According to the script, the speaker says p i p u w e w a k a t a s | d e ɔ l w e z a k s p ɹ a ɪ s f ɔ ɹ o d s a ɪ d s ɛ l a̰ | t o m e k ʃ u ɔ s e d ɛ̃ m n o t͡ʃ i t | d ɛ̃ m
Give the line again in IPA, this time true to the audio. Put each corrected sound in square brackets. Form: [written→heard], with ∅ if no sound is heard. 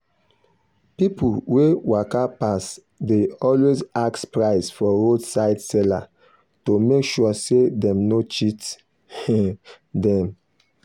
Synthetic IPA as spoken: p i p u w e w a k a [t→p] a s | d e ɔ l w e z a k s p ɹ a ɪ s f ɔ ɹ o d s a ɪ d s ɛ l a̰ | t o m e k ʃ u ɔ s e d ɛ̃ m n o t͡ʃ i t | d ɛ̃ m